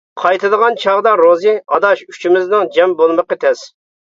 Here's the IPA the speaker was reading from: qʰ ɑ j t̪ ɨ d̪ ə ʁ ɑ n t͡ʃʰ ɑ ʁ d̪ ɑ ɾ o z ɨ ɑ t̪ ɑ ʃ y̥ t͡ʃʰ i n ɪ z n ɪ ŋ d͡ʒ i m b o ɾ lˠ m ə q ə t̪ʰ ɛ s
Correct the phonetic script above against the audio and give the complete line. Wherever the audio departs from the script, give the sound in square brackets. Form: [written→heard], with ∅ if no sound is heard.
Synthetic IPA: qʰ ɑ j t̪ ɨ d̪ ə ʁ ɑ n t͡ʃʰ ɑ ʁ d̪ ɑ ɾ o z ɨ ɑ [t̪→d̪] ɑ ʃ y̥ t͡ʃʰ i [n→m] ɪ z n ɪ ŋ d͡ʒ [i→ɛ] m b o [ɾ→∅] lˠ m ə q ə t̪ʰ ɛ s